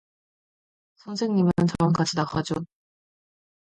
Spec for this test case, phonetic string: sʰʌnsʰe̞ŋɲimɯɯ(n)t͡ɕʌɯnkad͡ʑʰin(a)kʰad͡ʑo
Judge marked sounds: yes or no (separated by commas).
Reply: yes, yes